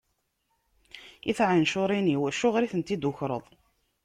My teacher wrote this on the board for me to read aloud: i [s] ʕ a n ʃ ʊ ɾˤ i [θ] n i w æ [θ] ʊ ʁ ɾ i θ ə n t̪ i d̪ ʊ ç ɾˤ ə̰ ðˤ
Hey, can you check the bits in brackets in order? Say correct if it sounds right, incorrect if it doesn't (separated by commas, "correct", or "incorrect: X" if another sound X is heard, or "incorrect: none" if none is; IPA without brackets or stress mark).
incorrect: θ, incorrect: none, incorrect: ʃ